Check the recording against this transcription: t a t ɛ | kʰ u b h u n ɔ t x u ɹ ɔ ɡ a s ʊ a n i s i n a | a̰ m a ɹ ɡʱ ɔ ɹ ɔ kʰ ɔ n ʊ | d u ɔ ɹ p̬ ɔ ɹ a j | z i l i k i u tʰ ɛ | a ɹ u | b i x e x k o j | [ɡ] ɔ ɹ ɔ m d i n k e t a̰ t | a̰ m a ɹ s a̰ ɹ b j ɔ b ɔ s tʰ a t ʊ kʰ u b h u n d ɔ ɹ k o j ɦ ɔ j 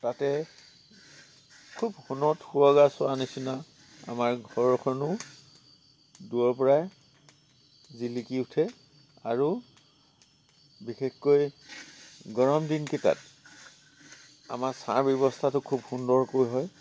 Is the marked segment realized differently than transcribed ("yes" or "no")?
no